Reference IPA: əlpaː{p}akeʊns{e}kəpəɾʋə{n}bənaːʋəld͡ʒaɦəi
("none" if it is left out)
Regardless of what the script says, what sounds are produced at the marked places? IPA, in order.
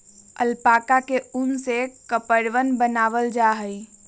k, e, n

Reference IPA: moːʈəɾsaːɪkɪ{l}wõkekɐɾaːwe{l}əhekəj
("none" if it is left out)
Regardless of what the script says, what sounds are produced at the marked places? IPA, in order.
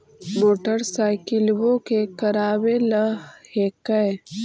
l, l

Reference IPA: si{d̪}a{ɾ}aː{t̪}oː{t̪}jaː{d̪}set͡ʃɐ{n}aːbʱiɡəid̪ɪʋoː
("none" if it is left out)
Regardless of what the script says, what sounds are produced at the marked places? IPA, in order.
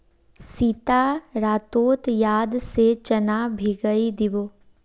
t̪, ɾ, t̪, t̪, d̪, n

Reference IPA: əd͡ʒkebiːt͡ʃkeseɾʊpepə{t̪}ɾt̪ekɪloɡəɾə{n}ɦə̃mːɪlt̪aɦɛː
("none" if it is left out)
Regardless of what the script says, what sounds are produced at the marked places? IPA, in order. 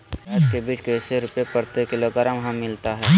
none, m

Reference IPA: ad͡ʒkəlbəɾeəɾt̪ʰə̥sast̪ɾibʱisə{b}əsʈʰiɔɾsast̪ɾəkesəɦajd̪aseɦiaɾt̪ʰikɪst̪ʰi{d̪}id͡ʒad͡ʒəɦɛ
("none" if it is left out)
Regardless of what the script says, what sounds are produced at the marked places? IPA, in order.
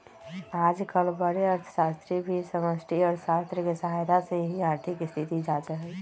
m, t̪

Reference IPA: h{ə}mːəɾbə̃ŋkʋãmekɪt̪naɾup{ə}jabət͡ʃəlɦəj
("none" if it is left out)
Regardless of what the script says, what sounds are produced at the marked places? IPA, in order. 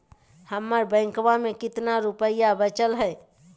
ə, ə

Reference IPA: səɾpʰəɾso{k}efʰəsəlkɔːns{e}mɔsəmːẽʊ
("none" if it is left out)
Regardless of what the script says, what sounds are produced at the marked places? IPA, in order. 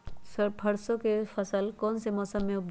k, e

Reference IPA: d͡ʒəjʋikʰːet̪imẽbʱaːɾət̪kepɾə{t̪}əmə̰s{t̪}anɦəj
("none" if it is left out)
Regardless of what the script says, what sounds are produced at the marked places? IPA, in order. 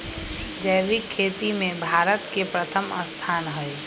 t̪ʰ, t̪ʰ

